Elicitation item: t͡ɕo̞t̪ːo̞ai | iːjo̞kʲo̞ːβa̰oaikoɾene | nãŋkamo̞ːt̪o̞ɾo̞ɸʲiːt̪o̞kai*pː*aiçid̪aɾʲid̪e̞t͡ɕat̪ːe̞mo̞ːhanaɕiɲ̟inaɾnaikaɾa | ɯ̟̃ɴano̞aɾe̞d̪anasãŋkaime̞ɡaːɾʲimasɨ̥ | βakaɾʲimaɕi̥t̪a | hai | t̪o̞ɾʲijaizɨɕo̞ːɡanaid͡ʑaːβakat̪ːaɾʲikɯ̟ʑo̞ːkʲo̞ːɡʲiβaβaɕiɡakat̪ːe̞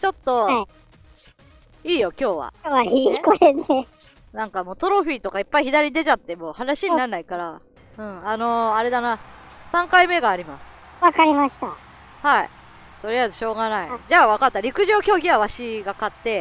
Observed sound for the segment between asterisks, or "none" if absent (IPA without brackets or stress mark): pː